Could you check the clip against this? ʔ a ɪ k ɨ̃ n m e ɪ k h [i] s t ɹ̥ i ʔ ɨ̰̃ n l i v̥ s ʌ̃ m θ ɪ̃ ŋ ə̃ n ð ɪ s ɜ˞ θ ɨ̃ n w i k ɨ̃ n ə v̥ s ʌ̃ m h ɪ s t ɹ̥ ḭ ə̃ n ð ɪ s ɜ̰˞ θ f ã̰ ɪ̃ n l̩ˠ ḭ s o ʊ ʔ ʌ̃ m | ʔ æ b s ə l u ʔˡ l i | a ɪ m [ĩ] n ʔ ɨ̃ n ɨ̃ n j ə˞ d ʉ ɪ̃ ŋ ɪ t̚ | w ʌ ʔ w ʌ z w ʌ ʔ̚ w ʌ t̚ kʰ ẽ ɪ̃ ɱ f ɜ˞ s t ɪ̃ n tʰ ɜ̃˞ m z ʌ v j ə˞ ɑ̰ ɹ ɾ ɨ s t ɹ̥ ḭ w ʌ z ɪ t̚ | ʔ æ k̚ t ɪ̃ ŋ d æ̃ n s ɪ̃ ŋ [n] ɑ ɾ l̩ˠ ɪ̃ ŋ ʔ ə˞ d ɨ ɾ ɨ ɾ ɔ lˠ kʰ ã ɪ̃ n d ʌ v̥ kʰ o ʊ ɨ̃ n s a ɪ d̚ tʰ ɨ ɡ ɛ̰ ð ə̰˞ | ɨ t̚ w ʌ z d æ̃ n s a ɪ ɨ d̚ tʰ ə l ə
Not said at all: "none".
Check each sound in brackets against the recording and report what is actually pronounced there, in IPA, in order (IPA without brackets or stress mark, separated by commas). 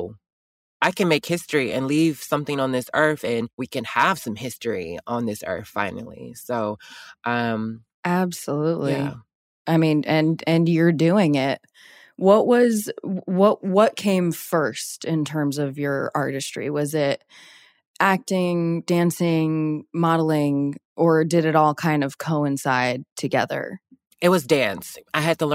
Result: ɪ, ĩ, m